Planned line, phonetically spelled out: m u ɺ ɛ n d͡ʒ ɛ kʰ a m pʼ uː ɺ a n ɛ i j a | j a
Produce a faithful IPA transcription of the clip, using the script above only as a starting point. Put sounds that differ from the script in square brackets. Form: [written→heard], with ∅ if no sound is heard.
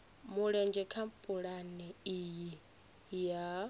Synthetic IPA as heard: m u ɺ ɛ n d͡ʒ ɛ kʰ a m pʼ [uː→u] ɺ a n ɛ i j [a→i] | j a

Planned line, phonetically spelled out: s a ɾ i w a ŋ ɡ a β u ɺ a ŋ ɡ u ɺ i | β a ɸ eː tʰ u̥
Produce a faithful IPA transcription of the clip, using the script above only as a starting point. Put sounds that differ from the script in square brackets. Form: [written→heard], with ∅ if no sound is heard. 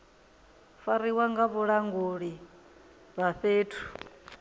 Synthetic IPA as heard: [s→f] a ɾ i w a ŋ ɡ a β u ɺ a ŋ ɡ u ɺ i | β a ɸ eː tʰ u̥

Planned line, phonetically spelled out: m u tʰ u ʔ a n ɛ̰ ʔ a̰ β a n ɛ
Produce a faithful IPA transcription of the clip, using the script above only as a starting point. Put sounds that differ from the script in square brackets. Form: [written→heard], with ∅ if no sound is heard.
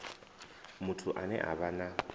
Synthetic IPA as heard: m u tʰ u ʔ a n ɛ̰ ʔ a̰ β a n [ɛ→a]

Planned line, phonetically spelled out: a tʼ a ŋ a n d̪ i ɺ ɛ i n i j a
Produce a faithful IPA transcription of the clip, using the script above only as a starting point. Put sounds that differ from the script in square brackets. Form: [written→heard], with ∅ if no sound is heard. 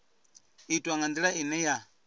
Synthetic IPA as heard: [a→i] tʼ a ŋ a n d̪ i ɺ [ɛ→a] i n [i→ɛ] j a

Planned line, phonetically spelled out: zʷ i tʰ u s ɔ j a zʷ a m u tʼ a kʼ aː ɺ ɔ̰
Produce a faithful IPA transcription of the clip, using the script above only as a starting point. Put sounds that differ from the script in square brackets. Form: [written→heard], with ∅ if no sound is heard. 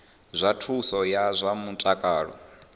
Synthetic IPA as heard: zʷ [i→a] tʰ u s ɔ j a zʷ a m u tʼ a kʼ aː ɺ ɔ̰

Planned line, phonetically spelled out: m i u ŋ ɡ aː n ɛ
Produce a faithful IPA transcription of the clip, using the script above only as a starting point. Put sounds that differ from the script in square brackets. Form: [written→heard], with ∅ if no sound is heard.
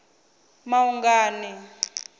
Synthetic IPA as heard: m [i→a] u ŋ ɡ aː n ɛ

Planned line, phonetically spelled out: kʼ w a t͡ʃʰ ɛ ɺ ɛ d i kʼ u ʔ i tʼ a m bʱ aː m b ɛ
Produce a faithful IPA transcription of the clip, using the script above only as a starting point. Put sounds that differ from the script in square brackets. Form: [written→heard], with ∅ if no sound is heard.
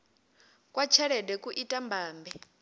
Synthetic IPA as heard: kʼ w a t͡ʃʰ ɛ ɺ ɛ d [i→ɛ] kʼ u ʔ i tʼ a m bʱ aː m b ɛ

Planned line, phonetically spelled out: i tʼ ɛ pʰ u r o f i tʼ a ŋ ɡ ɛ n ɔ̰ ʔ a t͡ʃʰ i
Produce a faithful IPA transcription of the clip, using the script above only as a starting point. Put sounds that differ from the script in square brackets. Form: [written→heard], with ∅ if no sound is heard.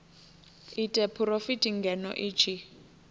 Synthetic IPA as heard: i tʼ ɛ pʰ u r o f i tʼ [a→i] ŋ ɡ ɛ n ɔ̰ ʔ [a→i] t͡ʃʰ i

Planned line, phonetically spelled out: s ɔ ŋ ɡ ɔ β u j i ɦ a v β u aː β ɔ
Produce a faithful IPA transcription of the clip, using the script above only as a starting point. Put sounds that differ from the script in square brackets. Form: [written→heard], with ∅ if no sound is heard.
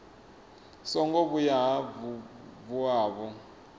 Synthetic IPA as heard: s ɔ ŋ ɡ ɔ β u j [i→a] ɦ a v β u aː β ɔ

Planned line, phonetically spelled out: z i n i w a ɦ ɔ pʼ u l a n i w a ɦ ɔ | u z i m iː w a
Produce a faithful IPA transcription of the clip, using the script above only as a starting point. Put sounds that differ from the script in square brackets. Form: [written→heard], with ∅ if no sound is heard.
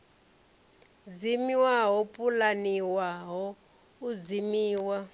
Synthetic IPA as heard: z i [n→m] i w a ɦ ɔ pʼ u l a n i w a ɦ ɔ | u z i m iː w a

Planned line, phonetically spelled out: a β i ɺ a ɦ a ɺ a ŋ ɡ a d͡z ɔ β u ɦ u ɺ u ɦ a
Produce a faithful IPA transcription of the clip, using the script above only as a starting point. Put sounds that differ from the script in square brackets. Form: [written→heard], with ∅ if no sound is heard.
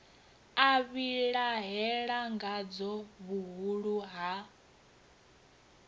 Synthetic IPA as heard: a β i ɺ a ɦ [a→ɛ] ɺ a ŋ ɡ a d͡z ɔ β u ɦ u ɺ u ɦ a

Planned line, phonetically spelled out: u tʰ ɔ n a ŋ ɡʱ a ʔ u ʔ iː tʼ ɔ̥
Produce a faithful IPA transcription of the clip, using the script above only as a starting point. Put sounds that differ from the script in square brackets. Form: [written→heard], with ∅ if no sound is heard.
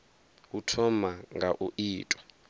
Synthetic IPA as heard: u tʰ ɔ [n→m] a ŋ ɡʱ a ʔ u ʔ iː tʼ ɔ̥

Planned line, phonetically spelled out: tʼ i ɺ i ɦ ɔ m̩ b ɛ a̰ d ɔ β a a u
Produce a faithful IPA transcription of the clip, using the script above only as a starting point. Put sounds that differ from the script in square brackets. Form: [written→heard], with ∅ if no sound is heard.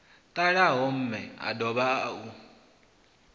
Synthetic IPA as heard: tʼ [i→a] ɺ [i→a] ɦ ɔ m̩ [b→m] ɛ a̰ d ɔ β a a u

